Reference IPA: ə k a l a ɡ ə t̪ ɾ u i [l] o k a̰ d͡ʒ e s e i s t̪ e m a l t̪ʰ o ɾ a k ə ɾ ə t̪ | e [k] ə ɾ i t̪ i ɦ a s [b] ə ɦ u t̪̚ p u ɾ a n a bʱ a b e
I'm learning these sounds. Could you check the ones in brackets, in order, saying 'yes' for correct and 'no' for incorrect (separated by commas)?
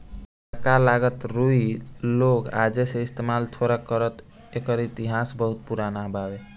yes, yes, yes